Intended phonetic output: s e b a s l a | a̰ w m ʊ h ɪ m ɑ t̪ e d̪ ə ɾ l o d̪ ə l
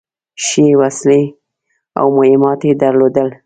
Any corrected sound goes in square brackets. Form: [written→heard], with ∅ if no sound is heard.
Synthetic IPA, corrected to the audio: [s→ʃ] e [b→w] a s l [a→e] | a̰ w m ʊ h ɪ m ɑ t̪ e d̪ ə ɾ l o d̪ ə l